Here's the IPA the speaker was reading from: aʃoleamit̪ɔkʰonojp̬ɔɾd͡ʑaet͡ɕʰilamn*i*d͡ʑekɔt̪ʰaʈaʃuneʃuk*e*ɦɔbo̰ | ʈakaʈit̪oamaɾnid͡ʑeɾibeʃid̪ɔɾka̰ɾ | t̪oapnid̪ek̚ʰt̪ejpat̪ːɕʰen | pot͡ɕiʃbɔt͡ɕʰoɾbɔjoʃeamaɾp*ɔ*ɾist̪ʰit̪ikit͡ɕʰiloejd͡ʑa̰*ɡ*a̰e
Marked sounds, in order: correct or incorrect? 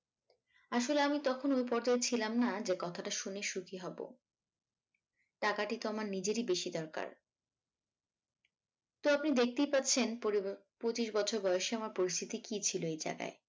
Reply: incorrect, incorrect, incorrect, correct

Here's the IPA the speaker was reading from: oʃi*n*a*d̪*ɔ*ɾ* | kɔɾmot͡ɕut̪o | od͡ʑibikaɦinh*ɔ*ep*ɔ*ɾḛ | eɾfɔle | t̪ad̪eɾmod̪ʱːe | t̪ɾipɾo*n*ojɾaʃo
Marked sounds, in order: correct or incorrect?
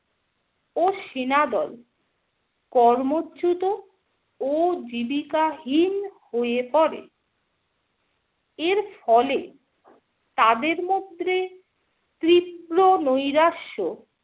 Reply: correct, correct, incorrect, incorrect, correct, correct

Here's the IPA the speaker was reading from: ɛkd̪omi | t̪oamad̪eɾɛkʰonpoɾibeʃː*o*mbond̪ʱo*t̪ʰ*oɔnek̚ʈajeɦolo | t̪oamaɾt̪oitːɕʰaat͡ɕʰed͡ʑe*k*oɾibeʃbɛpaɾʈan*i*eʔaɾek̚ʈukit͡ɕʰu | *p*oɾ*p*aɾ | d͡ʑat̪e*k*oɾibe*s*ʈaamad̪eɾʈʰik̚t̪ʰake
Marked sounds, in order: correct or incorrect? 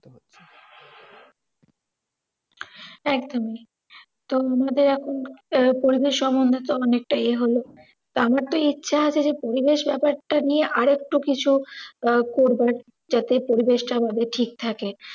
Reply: incorrect, incorrect, incorrect, correct, incorrect, incorrect, incorrect, incorrect

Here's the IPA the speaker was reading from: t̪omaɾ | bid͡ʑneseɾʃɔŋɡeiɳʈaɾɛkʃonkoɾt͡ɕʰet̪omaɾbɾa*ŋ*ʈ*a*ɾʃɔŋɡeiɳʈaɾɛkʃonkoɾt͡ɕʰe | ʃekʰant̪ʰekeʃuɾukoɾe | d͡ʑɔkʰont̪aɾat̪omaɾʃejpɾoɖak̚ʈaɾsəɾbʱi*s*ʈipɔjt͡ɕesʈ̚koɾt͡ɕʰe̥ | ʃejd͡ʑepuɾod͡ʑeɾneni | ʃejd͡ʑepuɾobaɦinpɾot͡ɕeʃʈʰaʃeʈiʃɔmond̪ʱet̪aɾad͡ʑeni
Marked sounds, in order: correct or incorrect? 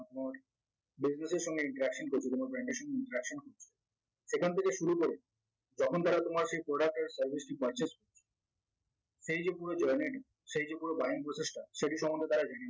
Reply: incorrect, incorrect, correct

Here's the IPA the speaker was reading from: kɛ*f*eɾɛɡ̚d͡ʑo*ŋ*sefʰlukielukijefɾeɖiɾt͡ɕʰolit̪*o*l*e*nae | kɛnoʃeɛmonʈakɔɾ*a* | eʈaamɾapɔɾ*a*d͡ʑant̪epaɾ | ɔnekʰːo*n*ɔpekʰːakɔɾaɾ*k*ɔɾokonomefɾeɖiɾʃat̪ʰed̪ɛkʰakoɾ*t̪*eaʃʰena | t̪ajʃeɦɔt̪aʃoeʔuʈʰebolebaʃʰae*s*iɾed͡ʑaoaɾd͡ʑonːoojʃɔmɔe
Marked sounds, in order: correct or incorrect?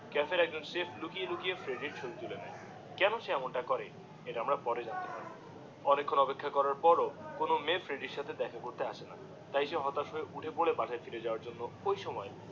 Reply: correct, incorrect, incorrect, correct, incorrect, incorrect, correct, incorrect, correct, incorrect

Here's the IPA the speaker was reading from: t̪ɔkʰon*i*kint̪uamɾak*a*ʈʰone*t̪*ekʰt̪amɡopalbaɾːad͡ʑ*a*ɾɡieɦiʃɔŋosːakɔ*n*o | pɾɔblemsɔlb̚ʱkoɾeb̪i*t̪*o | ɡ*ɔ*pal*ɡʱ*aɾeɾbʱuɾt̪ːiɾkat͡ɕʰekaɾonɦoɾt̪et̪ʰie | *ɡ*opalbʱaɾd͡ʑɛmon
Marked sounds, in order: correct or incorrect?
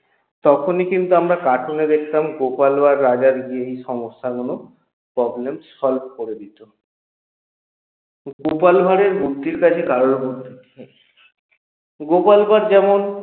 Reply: correct, correct, incorrect, correct, correct, correct, incorrect, incorrect, correct

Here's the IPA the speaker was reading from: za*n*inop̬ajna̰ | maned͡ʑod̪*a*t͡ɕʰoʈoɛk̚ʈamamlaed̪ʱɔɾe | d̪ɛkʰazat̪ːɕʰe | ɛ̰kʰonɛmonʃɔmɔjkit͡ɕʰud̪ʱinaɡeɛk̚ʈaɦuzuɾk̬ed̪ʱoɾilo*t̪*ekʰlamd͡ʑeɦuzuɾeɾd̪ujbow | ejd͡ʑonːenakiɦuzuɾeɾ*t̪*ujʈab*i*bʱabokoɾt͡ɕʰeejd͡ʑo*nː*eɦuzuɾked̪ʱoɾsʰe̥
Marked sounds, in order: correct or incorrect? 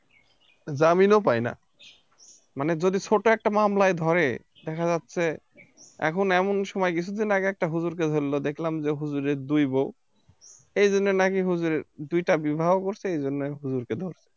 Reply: incorrect, incorrect, incorrect, incorrect, correct, correct

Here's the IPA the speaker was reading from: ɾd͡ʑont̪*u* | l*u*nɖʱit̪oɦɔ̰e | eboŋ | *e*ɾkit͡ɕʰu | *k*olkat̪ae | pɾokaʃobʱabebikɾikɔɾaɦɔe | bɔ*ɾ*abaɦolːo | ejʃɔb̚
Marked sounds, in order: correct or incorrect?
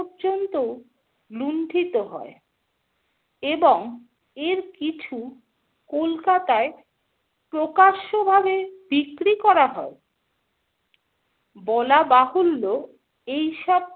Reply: incorrect, correct, correct, correct, incorrect

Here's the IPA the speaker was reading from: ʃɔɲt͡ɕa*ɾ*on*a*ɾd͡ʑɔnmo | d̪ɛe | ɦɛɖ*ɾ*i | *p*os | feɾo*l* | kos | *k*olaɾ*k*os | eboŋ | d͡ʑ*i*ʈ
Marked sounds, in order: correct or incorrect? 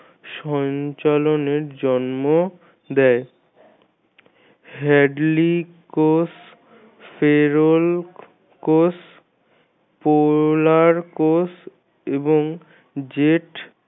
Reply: incorrect, incorrect, incorrect, incorrect, correct, incorrect, correct, incorrect

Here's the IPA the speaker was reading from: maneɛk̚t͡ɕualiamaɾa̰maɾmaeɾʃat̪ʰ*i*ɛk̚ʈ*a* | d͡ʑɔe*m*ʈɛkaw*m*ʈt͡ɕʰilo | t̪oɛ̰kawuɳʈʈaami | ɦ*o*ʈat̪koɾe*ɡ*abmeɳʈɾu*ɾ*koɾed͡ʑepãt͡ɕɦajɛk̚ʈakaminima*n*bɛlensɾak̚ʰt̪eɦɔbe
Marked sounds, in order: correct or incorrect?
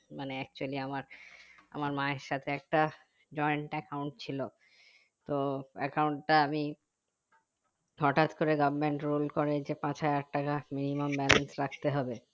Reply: incorrect, correct, incorrect, incorrect, incorrect, correct, incorrect, incorrect

